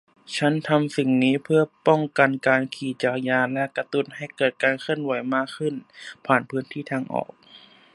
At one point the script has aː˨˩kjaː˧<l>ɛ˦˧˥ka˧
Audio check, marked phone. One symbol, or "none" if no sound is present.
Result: l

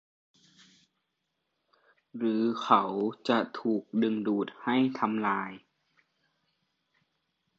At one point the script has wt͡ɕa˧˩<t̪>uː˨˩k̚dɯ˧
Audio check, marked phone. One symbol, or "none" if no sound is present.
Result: t̪ʰ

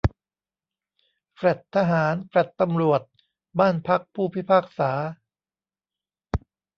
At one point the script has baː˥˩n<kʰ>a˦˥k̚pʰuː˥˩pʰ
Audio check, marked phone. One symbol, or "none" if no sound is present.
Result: pʰ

